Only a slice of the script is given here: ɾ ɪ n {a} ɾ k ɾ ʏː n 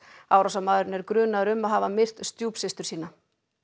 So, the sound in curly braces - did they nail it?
no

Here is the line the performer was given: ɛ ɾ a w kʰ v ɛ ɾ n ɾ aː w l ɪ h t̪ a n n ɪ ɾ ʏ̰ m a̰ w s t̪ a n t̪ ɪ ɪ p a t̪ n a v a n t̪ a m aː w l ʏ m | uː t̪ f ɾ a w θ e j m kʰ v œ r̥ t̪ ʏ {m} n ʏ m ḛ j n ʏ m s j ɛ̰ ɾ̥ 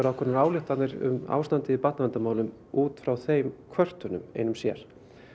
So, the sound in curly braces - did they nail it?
no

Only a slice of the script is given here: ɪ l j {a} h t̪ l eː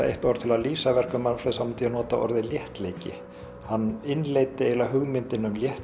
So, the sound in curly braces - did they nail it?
no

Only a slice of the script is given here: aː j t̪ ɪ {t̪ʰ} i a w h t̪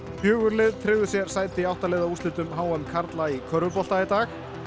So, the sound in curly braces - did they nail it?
no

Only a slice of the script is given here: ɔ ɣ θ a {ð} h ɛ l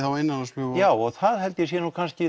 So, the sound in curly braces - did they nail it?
yes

